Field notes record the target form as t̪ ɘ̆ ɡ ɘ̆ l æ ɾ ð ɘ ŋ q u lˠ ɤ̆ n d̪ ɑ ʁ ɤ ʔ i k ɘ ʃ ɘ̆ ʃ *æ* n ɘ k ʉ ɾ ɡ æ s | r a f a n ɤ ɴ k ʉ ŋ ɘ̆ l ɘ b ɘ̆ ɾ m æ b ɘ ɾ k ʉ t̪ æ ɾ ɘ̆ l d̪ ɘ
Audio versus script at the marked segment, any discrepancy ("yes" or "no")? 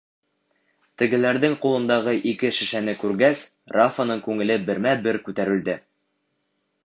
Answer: no